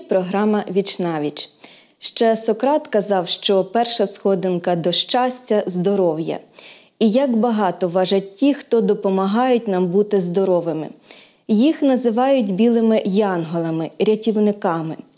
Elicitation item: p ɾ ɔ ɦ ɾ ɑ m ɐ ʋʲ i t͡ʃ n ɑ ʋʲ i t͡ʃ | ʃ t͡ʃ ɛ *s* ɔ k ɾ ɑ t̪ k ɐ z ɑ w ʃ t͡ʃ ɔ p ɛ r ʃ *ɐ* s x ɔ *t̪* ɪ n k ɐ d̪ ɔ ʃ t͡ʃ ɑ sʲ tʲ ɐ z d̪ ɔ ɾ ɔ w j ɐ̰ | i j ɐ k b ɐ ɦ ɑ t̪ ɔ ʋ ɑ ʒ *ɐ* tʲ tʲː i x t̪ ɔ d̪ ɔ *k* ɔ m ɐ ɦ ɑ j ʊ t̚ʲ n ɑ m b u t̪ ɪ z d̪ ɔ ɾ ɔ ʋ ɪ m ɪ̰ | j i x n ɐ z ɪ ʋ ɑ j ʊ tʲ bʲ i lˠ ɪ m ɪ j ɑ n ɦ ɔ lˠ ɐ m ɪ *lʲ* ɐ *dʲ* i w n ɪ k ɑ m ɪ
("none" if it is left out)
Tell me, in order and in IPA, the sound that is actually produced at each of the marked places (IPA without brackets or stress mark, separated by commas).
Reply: s, ɐ, d̪, ɐ, p, ɾʲ, tʲ